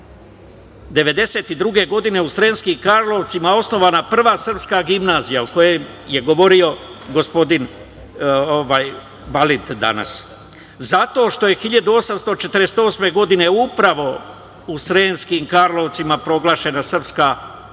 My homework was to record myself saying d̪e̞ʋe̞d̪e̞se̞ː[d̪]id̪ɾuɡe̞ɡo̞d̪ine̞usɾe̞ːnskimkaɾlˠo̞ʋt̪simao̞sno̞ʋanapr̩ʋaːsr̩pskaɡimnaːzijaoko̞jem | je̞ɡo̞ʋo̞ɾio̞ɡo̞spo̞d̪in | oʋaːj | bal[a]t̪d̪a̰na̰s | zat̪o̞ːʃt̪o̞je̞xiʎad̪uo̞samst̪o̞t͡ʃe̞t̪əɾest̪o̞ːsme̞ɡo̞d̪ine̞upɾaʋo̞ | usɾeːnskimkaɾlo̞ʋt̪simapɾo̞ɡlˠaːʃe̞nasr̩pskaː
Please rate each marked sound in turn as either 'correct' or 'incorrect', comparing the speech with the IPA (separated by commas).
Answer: incorrect, incorrect